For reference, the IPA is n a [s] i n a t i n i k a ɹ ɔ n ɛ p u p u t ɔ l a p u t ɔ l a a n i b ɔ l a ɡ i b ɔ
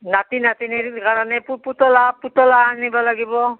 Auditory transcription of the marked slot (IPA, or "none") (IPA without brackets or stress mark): t